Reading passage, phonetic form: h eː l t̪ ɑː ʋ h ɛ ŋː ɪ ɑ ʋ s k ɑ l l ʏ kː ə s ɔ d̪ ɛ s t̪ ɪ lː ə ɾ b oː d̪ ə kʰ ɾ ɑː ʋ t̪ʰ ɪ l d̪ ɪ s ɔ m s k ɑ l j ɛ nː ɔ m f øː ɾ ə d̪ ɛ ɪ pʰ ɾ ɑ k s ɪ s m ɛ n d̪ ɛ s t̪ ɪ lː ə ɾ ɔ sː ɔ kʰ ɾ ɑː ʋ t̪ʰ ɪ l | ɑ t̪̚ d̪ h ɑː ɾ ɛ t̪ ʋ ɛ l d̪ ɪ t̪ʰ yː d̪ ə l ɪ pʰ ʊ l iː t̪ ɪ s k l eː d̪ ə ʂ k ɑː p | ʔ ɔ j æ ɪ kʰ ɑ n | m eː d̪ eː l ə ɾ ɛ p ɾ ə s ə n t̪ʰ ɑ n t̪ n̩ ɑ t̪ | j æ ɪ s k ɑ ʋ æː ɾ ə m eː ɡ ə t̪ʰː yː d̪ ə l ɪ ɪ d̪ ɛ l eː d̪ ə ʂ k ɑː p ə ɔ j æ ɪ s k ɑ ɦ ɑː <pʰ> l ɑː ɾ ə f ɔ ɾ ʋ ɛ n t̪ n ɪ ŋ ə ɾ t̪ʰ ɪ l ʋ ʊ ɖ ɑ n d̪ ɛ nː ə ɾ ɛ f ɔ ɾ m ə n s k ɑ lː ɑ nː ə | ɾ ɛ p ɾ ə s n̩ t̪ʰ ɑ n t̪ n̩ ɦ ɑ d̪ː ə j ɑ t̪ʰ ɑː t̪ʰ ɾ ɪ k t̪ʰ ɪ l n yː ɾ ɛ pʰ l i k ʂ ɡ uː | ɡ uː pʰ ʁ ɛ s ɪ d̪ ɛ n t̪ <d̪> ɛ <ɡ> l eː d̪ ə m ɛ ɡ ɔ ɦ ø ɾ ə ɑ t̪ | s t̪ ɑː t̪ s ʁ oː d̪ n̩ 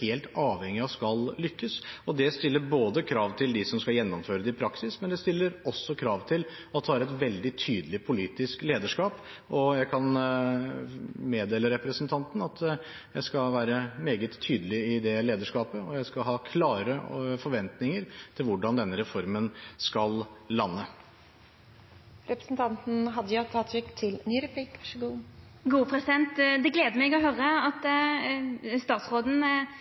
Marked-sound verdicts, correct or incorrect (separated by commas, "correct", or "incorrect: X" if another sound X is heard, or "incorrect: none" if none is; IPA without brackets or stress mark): incorrect: kʰ, correct, correct